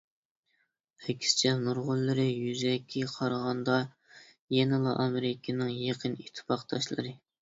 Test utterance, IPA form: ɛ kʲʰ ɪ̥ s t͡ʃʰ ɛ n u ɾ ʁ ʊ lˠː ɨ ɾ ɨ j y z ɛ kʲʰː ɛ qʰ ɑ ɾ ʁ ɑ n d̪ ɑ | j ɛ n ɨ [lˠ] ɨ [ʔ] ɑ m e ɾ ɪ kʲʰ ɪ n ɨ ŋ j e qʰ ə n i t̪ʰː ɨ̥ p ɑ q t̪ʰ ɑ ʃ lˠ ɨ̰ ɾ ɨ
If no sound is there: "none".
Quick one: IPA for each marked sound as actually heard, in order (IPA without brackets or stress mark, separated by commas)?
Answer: lˠ, ʔ